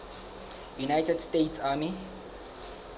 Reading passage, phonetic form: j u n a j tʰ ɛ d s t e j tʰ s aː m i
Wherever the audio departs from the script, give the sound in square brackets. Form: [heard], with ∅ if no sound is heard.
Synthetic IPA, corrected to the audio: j u n a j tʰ ɛ d s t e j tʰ s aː m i